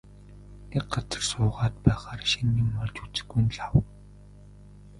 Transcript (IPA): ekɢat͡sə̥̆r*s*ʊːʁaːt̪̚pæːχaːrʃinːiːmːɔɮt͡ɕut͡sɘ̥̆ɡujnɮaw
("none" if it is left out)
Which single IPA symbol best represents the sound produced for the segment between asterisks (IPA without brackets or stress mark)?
s